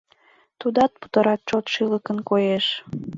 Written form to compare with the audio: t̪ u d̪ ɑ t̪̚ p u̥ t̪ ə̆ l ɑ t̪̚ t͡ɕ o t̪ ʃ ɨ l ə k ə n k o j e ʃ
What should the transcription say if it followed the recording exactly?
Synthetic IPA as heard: t̪ u d̪ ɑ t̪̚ p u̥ t̪ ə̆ ɾ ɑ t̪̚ t͡ɕ o t̪ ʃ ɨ l ə k ə n k o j e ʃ

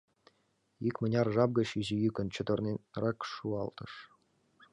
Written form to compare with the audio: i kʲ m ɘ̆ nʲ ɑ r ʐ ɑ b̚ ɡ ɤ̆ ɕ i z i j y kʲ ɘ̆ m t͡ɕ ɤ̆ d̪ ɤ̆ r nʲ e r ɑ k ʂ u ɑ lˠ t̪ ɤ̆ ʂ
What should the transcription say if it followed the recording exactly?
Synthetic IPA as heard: i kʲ m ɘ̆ nʲ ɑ r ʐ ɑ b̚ ɡ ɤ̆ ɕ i ʑ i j y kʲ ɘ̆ n t͡ɕ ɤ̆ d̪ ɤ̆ r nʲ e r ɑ k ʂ u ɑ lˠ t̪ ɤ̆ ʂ

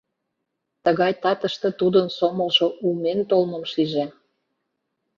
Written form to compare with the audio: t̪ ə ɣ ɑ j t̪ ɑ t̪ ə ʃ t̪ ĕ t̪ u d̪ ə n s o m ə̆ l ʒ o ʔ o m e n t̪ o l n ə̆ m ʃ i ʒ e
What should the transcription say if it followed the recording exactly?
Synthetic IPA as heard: t̪ ə ɣ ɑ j t̪ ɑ t̪ ə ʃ t̪ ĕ t̪ u d̪ ə n s o m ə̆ l ʒ o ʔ u m e n t̪ o l m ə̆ m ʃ i ʒ e

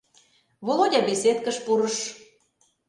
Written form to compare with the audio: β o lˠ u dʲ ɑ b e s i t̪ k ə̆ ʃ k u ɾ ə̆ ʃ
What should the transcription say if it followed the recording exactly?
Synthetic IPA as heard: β o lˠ o dʲ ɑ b e s e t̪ k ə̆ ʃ p u ɾ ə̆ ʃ

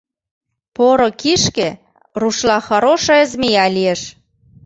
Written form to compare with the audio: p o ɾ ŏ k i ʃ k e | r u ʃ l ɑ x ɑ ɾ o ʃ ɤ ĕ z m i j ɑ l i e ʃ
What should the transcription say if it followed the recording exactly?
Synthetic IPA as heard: p o ɾ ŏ k i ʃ k e | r u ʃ l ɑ x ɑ ɾ o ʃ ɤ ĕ z m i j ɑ l i e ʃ

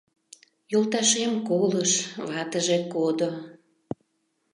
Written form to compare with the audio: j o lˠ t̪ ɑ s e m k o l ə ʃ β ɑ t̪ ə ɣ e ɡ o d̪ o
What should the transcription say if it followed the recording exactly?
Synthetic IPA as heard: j o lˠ t̪ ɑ ʃ e m k o l ə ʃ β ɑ t̪ ə ʒ e k o d̪ o

